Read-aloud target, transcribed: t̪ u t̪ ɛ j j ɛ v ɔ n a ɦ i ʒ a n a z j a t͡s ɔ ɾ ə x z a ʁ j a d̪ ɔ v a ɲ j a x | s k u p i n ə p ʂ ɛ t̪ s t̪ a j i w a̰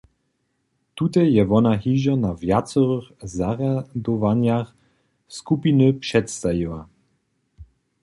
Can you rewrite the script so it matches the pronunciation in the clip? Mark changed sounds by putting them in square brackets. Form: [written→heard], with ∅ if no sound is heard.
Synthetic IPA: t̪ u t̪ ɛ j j ɛ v ɔ n a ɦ i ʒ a n a [z→v] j a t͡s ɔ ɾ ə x z a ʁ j a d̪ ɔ v a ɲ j a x | s k u p i n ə p ʂ ɛ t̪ s t̪ a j i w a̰